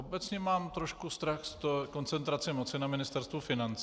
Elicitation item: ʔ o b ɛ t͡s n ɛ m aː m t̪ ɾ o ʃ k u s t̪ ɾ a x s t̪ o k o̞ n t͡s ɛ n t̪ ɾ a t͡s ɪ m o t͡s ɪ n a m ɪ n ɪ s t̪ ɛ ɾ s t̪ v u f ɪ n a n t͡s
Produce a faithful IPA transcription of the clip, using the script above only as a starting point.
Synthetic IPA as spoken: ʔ o b ɛ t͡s ɲ ɛ m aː m t̪ ɾ o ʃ k u s t̪ ɾ a x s t̪ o k o̞ n t͡s ɛ n t̪ ɾ a t͡s ɪ m o t͡s ɪ n a m ɪ n ɪ s t̪ ɛ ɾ s t̪ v u f ɪ n a n t͡s